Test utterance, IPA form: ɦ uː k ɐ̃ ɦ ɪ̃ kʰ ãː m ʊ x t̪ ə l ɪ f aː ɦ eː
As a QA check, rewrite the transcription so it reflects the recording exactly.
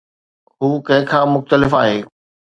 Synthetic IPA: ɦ uː k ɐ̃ ɦ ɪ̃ kʰ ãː m ʊ x t̪ ə l ɪ f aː ɦ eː